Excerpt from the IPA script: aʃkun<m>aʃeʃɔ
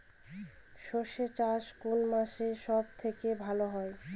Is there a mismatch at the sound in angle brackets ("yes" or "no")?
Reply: no